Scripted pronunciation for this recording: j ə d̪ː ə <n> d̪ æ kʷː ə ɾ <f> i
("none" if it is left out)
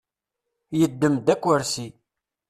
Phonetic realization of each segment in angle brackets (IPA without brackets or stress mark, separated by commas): m, s